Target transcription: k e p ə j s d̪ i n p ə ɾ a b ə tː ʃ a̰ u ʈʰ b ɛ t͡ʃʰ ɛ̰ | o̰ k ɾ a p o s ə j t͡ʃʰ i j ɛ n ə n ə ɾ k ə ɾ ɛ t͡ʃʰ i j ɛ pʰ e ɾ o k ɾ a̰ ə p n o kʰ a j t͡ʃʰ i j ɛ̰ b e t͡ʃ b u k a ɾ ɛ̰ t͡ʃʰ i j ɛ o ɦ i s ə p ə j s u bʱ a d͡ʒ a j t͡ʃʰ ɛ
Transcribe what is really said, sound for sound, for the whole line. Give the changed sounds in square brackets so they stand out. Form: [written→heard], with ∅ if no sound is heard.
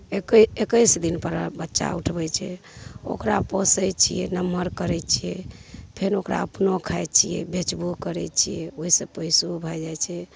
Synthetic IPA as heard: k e [p→k] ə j s d̪ i n p ə ɾ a b ə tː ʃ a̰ u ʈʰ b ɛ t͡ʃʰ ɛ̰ | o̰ k ɾ a p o s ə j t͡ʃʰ i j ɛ n ə [n→m] ə ɾ k ə ɾ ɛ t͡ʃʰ i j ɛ pʰ e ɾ o k ɾ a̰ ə p n o kʰ a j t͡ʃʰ i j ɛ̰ b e t͡ʃ b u k [a→ə] ɾ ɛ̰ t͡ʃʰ i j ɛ o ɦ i s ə p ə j s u bʱ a d͡ʒ a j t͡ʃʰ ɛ